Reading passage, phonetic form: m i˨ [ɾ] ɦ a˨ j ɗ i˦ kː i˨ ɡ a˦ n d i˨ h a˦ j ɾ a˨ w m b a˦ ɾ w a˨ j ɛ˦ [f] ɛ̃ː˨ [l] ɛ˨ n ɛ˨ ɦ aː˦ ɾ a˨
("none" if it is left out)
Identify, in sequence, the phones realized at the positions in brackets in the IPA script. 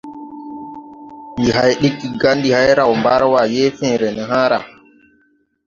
none, f, ɾ

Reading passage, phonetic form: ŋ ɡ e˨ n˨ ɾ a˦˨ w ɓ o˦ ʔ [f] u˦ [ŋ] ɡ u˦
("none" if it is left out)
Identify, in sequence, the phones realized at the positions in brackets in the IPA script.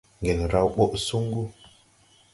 s, ŋ

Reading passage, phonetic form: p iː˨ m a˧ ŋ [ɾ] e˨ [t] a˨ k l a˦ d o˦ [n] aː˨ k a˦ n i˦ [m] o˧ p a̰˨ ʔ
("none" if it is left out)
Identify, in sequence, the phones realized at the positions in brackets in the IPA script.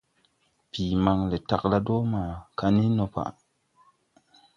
l, t, m, n

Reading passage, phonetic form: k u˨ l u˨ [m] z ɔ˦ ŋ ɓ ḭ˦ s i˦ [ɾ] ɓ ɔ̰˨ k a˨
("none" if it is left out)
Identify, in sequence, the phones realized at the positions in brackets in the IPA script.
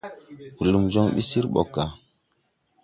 m, ɾ

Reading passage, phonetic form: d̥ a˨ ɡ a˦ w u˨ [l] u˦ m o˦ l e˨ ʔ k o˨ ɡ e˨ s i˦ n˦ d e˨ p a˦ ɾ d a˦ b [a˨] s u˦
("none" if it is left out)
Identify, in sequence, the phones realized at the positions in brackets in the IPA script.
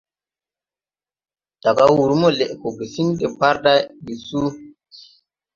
ɾ, i˨

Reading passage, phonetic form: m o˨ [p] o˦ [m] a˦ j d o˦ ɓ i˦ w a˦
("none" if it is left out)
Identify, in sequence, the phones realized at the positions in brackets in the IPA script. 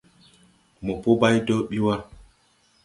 p, b

